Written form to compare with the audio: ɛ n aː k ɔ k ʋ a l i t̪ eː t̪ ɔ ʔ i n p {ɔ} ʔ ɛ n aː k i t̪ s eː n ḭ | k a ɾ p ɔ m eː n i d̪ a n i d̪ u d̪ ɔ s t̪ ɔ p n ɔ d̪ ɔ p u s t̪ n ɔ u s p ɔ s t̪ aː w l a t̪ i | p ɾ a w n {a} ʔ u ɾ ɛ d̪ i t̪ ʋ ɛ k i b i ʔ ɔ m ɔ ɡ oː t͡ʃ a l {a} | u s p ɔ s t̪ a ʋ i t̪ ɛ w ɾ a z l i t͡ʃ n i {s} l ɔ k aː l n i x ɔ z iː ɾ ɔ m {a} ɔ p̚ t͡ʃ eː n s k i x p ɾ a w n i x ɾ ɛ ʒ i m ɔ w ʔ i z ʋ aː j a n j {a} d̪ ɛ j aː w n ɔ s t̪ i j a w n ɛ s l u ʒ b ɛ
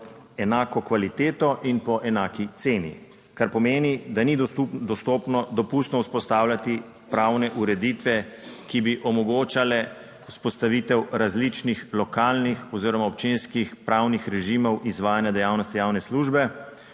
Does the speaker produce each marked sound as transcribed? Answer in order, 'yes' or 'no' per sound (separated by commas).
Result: yes, no, no, no, yes, yes